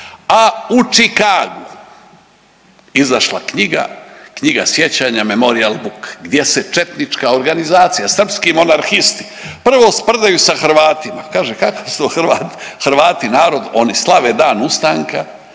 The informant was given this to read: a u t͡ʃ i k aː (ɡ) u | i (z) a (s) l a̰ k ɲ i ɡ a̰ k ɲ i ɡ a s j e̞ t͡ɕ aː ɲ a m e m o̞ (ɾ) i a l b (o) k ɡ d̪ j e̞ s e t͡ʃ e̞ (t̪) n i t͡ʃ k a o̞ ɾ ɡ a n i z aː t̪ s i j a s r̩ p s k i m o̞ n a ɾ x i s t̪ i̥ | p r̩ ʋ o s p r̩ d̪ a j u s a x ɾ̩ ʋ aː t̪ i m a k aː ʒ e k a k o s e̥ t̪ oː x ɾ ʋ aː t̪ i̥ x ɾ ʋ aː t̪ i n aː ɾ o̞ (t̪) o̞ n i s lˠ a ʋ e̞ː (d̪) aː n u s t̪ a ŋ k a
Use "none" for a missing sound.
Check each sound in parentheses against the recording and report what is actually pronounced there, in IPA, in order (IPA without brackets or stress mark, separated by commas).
ɡ, z, ʃ, ɾ, u, t̪, d̪, d̪